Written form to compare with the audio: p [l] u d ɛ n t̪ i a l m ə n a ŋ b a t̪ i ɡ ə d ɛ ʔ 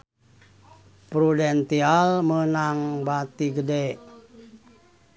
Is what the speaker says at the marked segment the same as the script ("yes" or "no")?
no